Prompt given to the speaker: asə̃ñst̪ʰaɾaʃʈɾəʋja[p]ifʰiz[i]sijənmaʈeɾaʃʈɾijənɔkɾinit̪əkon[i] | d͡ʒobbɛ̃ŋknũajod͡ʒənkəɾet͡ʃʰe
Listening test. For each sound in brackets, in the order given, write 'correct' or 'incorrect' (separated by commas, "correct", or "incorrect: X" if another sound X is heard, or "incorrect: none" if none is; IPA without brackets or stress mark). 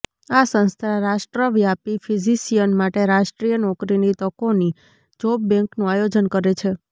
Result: correct, correct, correct